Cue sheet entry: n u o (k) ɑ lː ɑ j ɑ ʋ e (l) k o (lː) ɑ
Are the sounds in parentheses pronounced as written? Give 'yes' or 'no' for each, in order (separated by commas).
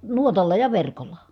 no, no, yes